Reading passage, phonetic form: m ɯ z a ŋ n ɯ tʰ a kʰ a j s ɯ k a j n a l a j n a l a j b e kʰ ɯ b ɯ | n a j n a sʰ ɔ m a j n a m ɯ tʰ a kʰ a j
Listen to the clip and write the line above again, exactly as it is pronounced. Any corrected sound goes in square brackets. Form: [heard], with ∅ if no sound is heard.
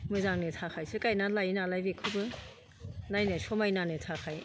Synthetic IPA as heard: m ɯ z a ŋ n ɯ tʰ a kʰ a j s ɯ k a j n a l a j n a l a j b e kʰ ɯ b ɯ | n a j n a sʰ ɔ m a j n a [n] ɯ tʰ a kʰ a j